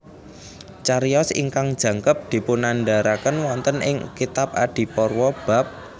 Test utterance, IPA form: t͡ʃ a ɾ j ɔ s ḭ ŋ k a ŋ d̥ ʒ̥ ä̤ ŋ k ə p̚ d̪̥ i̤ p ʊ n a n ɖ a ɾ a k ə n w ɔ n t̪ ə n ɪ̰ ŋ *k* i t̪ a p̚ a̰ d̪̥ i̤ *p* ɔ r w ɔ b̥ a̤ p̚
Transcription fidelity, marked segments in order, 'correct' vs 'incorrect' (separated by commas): correct, correct